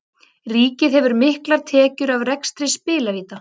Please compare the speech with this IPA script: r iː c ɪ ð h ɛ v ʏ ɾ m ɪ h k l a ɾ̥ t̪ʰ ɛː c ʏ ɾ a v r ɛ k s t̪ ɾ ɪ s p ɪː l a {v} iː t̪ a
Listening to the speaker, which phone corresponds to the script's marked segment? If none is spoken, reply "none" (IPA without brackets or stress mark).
v